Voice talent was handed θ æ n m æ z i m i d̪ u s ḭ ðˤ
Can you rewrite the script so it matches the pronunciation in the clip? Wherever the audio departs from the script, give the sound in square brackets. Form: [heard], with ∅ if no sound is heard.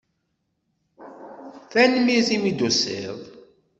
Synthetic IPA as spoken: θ æ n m [i] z i m i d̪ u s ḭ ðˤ